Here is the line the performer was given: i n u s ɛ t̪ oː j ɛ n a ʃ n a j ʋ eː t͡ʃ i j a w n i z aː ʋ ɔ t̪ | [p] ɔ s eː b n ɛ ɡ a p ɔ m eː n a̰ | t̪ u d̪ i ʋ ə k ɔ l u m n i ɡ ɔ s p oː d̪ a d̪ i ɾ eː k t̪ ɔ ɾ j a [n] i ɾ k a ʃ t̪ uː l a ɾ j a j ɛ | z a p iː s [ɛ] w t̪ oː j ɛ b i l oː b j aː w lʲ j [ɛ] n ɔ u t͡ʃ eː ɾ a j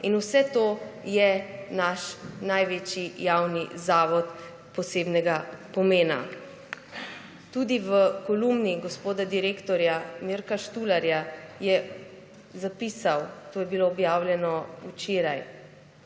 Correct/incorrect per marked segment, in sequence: correct, incorrect: m, incorrect: a, correct

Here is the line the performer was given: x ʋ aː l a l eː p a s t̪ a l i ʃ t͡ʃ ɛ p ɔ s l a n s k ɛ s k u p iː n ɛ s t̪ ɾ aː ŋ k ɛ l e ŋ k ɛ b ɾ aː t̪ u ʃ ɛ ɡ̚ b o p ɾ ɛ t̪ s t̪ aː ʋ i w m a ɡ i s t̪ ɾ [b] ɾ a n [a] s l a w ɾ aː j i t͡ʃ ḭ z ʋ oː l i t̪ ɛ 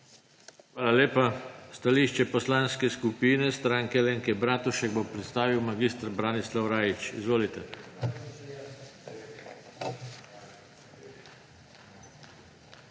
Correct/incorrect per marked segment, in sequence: correct, incorrect: i

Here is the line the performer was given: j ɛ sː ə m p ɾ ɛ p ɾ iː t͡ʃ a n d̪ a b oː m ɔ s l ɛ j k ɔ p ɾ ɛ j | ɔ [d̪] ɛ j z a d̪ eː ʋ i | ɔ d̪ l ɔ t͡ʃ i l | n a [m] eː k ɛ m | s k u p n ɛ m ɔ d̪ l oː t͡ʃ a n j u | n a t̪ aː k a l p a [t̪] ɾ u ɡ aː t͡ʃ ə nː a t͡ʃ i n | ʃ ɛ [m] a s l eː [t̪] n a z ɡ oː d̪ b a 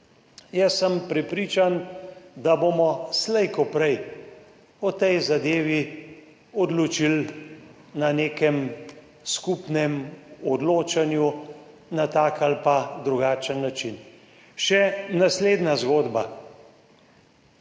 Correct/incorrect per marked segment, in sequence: incorrect: t̪, incorrect: n, incorrect: d̪, incorrect: n, incorrect: d̪

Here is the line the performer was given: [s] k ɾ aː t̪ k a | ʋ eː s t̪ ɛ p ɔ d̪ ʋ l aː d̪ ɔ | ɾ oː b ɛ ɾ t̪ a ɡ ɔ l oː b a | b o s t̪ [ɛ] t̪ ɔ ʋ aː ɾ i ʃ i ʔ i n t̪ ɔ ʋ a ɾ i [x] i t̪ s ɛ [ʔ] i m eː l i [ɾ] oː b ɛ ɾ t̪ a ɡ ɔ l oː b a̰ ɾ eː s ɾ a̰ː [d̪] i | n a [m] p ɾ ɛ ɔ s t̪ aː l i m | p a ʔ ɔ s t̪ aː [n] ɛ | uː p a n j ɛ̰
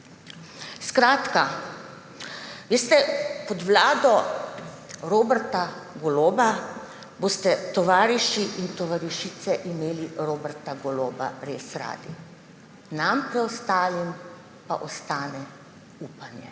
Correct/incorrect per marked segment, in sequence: correct, correct, incorrect: ʃ, correct, correct, correct, correct, correct

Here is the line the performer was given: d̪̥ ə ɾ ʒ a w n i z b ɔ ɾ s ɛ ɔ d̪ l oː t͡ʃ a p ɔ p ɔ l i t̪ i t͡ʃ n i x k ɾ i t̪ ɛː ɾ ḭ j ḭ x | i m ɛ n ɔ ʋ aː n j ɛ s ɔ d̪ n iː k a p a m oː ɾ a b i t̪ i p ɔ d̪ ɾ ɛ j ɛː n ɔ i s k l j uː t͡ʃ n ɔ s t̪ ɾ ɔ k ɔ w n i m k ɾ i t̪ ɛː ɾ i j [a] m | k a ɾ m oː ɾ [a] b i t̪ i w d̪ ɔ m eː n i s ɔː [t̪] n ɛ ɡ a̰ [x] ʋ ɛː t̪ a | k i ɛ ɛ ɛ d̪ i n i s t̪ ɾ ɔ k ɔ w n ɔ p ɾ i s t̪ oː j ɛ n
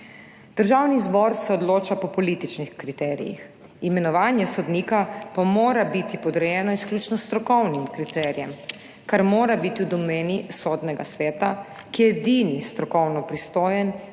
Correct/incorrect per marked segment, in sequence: incorrect: ɛ, correct, incorrect: d̪, incorrect: s

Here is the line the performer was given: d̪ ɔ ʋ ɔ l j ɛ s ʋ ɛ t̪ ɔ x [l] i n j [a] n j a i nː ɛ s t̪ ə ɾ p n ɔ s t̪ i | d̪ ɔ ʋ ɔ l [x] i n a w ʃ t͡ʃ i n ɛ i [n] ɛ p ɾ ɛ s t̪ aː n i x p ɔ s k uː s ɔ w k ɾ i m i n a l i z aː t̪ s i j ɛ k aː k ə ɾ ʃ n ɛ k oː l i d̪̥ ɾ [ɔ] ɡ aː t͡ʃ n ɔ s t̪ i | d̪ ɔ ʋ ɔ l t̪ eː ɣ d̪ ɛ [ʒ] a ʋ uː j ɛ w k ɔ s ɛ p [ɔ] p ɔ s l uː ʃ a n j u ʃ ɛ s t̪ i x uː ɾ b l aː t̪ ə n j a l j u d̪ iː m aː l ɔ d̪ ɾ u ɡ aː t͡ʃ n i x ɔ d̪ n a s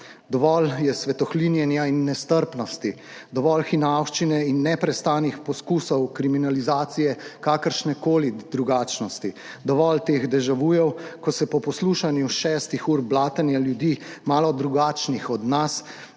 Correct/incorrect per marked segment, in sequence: correct, incorrect: ɛ, correct, incorrect: nː, incorrect: u, correct, correct

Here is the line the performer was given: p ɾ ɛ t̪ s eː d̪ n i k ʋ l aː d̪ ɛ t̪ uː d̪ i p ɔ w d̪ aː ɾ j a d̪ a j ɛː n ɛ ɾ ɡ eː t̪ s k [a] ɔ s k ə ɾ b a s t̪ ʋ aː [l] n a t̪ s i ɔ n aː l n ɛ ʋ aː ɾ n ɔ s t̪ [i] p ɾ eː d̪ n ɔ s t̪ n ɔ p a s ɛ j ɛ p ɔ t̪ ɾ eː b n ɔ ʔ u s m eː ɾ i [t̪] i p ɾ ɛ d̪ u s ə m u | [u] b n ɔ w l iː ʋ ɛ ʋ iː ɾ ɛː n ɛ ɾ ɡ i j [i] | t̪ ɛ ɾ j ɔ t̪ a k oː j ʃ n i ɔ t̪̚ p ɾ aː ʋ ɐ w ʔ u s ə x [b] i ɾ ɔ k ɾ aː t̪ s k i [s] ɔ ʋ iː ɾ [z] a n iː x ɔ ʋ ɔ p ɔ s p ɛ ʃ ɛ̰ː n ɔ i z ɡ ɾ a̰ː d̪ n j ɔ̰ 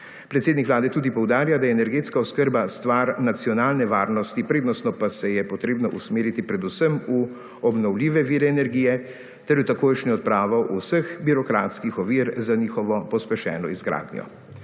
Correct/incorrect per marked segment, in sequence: correct, incorrect: ɾ, correct, correct, incorrect: ɔ, incorrect: ɛ, correct, incorrect: x, correct

